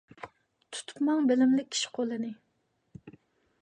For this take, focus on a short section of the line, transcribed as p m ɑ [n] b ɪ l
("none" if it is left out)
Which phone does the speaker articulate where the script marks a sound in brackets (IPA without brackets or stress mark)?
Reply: ŋ